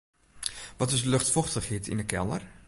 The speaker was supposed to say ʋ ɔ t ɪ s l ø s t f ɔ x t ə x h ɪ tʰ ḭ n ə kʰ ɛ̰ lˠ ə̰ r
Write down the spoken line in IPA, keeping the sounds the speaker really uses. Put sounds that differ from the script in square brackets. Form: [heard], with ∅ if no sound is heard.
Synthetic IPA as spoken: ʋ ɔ t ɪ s l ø [x] t f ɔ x t ə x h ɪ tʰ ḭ n ə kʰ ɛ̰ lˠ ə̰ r